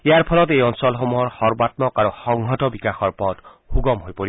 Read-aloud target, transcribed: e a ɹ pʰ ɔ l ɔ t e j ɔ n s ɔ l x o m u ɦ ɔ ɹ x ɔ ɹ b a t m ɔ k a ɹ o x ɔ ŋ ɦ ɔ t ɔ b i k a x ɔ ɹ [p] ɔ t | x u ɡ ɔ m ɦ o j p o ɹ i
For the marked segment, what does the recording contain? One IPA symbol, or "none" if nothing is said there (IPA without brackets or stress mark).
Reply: p